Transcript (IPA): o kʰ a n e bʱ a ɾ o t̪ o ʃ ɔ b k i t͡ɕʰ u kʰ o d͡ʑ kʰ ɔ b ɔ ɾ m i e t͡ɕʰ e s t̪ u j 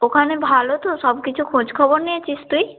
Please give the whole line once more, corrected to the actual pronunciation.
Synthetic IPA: o kʰ a n e bʱ a l o t̪ o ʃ ɔ b k i t͡ɕʰ u kʰ o d͡ʑ kʰ ɔ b o ɾ n i e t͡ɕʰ i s t̪ u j